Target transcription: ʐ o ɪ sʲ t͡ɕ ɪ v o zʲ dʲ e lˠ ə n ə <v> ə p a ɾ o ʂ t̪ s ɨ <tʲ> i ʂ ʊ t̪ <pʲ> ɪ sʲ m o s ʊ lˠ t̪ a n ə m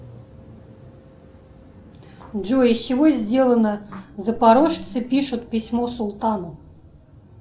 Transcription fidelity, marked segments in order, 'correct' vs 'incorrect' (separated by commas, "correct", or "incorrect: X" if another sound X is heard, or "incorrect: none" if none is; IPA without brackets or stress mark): incorrect: z, incorrect: pʲ, correct